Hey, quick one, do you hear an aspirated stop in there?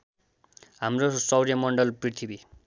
yes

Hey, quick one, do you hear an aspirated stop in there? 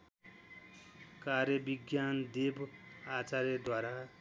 no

